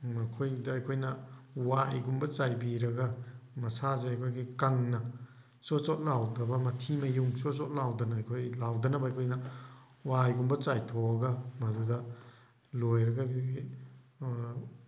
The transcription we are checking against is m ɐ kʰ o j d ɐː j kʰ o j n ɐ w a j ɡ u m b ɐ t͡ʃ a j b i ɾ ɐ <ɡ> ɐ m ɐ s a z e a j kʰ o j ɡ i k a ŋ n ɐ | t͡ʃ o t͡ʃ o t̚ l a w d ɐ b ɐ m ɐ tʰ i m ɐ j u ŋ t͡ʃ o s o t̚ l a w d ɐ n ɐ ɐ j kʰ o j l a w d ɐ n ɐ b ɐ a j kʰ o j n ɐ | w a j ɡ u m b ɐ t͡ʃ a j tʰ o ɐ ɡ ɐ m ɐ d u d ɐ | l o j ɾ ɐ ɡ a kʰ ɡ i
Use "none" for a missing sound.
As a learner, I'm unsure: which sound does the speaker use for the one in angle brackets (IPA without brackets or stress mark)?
ɡ